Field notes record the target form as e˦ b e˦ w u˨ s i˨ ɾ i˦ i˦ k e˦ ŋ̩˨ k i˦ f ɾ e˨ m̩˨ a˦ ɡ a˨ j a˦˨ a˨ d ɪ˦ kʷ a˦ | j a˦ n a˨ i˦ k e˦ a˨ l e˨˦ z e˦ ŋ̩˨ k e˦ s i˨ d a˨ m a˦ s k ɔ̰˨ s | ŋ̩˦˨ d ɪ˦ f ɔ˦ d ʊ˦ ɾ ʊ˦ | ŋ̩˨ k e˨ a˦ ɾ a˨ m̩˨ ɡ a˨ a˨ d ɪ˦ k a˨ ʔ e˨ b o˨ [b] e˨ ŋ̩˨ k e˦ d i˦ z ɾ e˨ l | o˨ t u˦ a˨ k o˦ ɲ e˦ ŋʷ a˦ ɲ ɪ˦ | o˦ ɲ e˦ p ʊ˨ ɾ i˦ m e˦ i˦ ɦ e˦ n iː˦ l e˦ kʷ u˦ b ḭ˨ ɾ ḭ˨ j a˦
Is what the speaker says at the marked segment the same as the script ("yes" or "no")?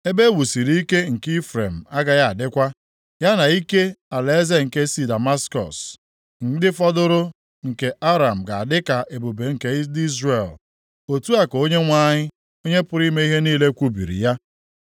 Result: yes